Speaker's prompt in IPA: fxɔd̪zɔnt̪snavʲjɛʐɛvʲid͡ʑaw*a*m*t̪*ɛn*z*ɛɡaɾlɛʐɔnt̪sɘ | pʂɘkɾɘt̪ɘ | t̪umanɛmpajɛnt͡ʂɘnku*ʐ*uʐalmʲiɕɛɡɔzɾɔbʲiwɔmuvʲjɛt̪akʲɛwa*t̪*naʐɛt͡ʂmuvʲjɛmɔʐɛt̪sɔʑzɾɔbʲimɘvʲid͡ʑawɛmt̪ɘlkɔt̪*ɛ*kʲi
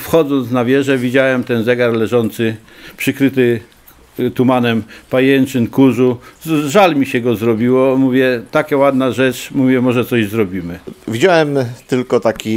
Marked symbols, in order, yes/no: no, yes, yes, yes, no, no

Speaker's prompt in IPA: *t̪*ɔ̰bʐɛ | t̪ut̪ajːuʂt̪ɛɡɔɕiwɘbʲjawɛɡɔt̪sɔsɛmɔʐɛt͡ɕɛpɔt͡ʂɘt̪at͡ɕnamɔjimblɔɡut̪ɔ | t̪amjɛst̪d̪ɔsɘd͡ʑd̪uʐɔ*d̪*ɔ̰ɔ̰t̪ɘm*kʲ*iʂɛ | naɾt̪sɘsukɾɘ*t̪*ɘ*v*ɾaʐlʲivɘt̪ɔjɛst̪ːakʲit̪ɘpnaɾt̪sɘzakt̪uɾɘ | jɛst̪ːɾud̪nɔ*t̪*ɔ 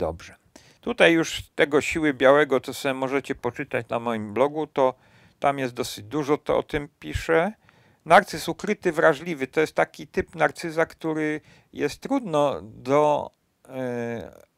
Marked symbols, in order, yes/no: no, no, no, yes, yes, no

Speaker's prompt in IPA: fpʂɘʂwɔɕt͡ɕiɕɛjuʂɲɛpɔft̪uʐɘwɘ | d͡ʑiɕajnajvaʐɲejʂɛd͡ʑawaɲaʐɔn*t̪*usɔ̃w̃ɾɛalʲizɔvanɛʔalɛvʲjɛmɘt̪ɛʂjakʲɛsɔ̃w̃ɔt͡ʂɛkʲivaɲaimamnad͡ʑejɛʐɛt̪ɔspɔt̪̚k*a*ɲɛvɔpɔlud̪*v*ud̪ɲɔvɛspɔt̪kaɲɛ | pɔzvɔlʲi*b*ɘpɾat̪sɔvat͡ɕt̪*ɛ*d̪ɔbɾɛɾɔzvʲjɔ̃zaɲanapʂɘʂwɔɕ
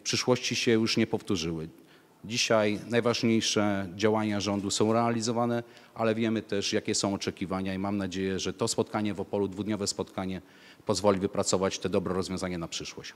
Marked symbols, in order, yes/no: no, yes, yes, no, yes

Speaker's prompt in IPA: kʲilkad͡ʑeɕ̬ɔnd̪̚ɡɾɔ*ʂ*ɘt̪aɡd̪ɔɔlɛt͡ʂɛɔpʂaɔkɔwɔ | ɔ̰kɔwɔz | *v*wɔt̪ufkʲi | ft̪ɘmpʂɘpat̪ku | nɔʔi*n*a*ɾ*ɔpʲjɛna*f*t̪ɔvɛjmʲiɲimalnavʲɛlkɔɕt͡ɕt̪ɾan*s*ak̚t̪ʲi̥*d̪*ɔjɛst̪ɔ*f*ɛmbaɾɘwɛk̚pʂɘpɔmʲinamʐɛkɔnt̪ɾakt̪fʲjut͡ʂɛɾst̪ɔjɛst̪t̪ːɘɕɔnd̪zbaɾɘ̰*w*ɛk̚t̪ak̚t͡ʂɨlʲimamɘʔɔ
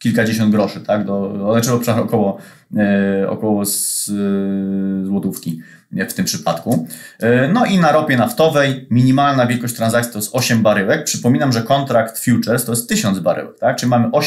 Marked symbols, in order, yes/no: yes, no, yes, yes, yes, no, no, no, yes

